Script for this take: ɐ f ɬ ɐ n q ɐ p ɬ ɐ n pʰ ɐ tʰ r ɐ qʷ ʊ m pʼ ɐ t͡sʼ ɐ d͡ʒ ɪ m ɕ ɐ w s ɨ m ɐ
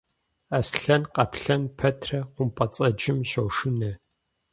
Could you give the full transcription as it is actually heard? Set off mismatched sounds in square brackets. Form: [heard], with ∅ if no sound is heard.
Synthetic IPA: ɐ [s] ɬ ɐ n q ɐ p ɬ ɐ n pʰ ɐ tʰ r ɐ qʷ ʊ m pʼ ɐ t͡sʼ ɐ d͡ʒ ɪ m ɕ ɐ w [ʂ] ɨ [n] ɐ